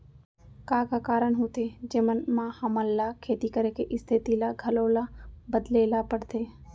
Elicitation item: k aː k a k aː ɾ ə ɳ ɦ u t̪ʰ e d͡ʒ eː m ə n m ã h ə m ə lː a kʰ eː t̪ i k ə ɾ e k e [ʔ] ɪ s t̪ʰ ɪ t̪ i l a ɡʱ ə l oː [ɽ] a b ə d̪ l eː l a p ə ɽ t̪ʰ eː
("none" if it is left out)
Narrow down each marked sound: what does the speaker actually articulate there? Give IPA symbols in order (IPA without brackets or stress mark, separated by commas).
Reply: ʔ, l